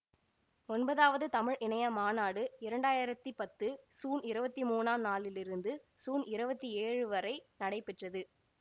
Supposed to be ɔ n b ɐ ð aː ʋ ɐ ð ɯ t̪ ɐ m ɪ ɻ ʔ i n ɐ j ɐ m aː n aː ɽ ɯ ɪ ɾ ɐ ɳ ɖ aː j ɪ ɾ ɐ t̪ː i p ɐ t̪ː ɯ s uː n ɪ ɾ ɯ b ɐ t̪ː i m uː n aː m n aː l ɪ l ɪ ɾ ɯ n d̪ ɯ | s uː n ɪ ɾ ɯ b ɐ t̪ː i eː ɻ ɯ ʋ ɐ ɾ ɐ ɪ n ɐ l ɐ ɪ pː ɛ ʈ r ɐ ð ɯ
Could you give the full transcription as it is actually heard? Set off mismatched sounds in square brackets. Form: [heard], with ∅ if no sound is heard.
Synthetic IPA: ɔ n b ɐ ð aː ʋ ɐ ð ɯ t̪ ɐ m ɪ ɻ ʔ [ɪ] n ɐ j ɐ m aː n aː ɽ ɯ ɪ ɾ ɐ ɳ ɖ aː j ɪ ɾ ɐ t̪ː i p ɐ t̪ː ɯ s uː n ɪ ɾ ɯ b ɐ t̪ː i m uː n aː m n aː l ɪ l ɪ ɾ ɯ n d̪ ɯ | s uː n ɪ ɾ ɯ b ɐ t̪ː i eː ɻ ɯ ʋ ɐ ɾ ɐ ɪ n ɐ [ɽ] ɐ ɪ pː ɛ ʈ r ɐ ð ɯ

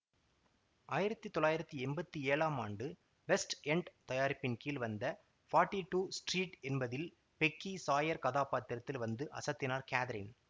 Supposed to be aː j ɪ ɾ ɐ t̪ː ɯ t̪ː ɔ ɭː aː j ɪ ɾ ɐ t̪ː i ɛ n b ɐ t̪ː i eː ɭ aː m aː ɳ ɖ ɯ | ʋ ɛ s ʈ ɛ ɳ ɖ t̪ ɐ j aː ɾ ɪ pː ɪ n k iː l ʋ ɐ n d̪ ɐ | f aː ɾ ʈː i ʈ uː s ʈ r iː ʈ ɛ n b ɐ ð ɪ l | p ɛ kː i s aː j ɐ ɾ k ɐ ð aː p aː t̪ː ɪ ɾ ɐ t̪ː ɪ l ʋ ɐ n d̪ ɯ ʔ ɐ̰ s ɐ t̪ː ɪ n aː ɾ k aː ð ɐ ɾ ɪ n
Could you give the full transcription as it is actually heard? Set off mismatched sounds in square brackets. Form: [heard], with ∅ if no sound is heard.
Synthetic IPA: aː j ɪ ɾ ɐ t̪ː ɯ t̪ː ɔ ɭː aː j ɪ ɾ ɐ t̪ː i ɛ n b ɐ t̪ː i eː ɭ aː m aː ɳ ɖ ɯ | ʋ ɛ s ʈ ɛ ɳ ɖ t̪ ɐ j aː ɾ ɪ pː ɪ n k iː l ʋ ɐ n d̪ ɐ | f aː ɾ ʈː i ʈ uː s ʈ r iː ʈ ɛ n b ɐ ð ɪ l | p ɛ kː i s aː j ɐ ɾ k ɐ ð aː p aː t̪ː ɪ ɾ ɐ t̪ː ɪ l ʋ ɐ n d̪ ɯ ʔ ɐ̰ s ɐ t̪ː ɪ n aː ɾ k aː ð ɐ ɾ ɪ n

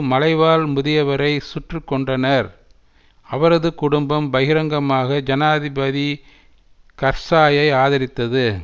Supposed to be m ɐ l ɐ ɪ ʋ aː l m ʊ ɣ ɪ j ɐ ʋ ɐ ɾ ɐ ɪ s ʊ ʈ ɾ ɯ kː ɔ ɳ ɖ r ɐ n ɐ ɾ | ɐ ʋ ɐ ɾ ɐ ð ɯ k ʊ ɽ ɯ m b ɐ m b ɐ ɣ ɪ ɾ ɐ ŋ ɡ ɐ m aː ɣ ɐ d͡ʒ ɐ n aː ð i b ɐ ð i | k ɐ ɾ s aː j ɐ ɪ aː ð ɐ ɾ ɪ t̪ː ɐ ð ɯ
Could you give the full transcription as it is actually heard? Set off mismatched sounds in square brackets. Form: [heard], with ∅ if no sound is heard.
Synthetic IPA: m ɐ l ɐ ɪ ʋ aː l m ʊ [ð] ɪ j ɐ ʋ ɐ ɾ ɐ ɪ s ʊ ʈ [r] ɯ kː ɔ ɳ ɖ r ɐ n ɐ ɾ | ɐ ʋ ɐ ɾ ɐ ð ɯ k ʊ ɽ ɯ m b ɐ m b ɐ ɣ ɪ ɾ ɐ ŋ ɡ ɐ m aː ɣ ɐ d͡ʒ ɐ n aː ð [ɪ] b ɐ ð i | k ɐ ɾ s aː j ɐ ɪ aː ð ɐ ɾ ɪ t̪ː ɐ ð ɯ

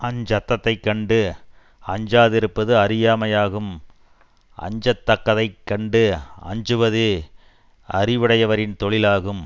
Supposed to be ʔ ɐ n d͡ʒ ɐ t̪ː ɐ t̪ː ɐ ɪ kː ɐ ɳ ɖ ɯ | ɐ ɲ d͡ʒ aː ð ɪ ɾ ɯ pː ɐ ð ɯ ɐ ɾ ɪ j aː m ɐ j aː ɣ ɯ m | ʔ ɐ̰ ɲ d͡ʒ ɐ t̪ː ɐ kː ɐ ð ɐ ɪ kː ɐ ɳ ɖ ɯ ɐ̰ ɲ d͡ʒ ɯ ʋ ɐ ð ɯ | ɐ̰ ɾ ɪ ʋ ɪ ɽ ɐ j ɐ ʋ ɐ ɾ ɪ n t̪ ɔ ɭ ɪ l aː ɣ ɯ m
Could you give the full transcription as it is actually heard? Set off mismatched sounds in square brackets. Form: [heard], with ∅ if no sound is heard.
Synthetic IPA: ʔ ɐ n d͡ʒ ɐ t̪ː ɐ t̪ː ɐ ɪ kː ɐ ɳ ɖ ɯ | ɐ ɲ d͡ʒ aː ð ɪ ɾ ɯ pː ɐ ð ɯ ɐ ɾ ɪ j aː m ɐ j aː ɣ ɯ m | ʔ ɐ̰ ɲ d͡ʒ ɐ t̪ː ɐ kː ɐ ð ɐ ɪ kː ɐ ɳ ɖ ɯ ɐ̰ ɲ d͡ʒ ɯ ʋ ɐ ð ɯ | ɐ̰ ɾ ɪ ʋ ɪ ɽ ɐ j ɐ ʋ ɐ ɾ ɪ n t̪ ɔ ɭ ɪ l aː ɣ ɯ m

